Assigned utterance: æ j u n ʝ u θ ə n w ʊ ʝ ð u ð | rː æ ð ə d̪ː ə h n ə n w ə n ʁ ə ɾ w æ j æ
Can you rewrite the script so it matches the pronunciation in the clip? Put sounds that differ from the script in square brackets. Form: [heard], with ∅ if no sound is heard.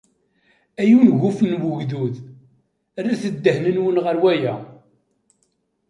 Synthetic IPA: æ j u n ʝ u [f] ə n w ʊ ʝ ð u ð | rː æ [θ] ə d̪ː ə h n ə n w ə n ʁ ə ɾ w æ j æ